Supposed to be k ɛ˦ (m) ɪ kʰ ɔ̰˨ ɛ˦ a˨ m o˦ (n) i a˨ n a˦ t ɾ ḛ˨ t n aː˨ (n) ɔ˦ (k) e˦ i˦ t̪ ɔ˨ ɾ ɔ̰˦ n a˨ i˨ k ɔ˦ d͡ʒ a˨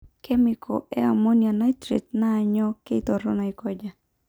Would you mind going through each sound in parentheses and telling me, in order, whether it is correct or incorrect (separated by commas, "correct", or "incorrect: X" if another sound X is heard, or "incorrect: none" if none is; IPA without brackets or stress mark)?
correct, correct, incorrect: ɲ, correct